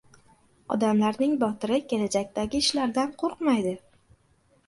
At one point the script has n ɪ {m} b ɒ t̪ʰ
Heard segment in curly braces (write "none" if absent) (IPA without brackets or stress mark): ŋ